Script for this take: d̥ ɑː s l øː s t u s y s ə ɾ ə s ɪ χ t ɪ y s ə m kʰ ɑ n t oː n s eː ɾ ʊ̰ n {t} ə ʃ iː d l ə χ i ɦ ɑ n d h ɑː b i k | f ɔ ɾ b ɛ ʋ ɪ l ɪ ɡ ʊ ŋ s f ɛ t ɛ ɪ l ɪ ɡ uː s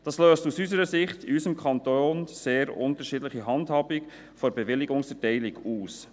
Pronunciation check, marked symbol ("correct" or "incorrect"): correct